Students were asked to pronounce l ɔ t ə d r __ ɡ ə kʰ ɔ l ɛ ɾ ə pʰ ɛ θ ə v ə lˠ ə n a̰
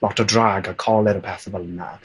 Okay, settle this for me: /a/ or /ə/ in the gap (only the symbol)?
a